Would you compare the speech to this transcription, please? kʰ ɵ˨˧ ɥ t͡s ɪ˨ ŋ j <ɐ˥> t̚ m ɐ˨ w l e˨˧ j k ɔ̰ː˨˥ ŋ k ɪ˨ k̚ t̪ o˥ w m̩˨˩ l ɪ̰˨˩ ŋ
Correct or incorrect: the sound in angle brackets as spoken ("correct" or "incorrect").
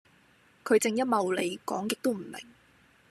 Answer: correct